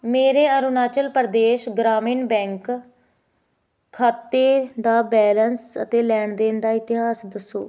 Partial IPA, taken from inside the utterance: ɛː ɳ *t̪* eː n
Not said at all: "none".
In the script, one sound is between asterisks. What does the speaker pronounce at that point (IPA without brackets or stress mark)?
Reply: d̪